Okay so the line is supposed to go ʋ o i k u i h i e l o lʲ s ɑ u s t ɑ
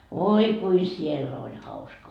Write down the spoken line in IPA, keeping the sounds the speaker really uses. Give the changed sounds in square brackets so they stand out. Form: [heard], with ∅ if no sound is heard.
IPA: ʋ o i k u i [s] i e [lː] o lʲ [h] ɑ u s [k] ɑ